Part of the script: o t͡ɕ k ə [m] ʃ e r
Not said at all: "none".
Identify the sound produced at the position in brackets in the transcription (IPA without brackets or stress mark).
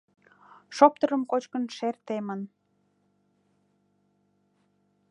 n